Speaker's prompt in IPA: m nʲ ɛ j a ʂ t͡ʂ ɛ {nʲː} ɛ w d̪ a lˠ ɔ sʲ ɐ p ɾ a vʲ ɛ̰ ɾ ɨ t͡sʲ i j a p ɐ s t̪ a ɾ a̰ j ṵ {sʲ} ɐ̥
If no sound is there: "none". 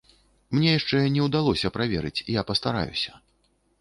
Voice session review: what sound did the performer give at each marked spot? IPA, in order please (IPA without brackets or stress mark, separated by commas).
nʲ, sʲ